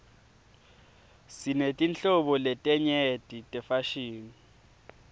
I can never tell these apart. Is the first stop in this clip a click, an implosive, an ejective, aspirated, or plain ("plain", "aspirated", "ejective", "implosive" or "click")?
ejective